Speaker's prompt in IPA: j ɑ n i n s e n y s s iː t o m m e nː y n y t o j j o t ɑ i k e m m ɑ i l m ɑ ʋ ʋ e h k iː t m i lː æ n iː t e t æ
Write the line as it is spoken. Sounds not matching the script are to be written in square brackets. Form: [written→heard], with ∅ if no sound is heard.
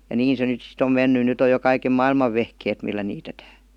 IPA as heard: j ɑ n [i→iː] n s e n y [s→t] s [iː→i] t o m m e nː y n y t o j j o [t→k] ɑ i k e m m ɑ i l m ɑ ʋ ʋ e h k [iː→eː] t m i lː æ n iː t e t [æ→æː]